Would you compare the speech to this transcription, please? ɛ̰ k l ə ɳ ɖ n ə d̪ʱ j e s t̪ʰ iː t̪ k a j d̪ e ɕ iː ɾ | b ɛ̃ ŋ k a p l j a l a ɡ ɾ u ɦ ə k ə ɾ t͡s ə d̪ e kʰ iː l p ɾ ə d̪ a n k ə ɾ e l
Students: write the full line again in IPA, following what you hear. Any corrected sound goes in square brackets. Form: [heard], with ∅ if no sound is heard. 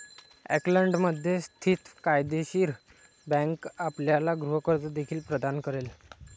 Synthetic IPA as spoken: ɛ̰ k l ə ɳ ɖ [m] ə d̪ʱ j e s t̪ʰ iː t̪ k a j d̪ e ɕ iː ɾ | b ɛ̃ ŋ k a p l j a l a ɡ ɾ u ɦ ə k ə ɾ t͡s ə d̪ e kʰ iː l p ɾ ə d̪ a n k ə ɾ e l